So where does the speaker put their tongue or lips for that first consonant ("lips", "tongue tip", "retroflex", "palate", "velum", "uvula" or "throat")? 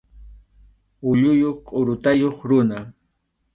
palate